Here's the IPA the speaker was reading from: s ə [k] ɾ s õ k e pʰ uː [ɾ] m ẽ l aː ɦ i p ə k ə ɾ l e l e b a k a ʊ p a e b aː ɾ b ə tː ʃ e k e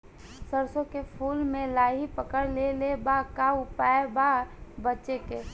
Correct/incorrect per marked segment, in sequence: incorrect: none, incorrect: l

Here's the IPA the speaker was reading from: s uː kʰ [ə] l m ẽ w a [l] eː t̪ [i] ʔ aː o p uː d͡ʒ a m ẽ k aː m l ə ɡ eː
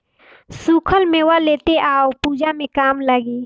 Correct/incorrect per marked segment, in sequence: correct, correct, incorrect: e

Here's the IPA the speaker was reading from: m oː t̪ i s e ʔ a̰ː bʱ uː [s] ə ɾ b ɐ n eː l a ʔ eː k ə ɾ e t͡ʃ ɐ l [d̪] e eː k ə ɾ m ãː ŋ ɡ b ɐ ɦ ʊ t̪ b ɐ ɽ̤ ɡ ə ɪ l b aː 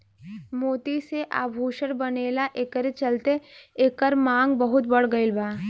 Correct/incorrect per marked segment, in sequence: incorrect: ʃ, incorrect: t̪

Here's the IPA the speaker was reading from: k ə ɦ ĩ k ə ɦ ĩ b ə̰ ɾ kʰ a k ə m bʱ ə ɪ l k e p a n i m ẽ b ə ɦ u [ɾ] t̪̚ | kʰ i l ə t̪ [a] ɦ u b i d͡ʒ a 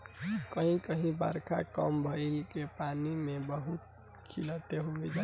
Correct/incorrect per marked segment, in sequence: incorrect: none, incorrect: e

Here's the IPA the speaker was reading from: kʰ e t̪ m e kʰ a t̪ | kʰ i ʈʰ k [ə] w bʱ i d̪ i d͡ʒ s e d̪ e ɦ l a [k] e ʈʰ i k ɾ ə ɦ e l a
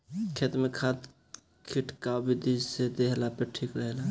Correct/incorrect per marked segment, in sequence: incorrect: a, incorrect: p

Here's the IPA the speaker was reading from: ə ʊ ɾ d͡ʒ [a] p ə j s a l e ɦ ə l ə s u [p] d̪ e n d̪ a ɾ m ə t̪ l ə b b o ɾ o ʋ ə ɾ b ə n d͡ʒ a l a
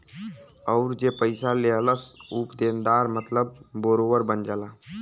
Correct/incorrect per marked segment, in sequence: incorrect: e, correct

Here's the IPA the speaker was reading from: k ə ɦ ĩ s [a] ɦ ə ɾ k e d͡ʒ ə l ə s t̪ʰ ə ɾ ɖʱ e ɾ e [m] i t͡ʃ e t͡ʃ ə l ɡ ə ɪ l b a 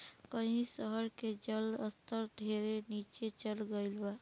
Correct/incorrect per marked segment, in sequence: incorrect: ə, incorrect: n

